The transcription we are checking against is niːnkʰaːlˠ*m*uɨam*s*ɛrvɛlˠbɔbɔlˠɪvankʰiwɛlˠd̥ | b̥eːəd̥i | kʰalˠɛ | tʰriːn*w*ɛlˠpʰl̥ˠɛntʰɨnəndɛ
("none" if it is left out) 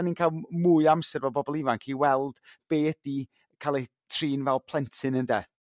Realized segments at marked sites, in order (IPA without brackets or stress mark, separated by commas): m, s, v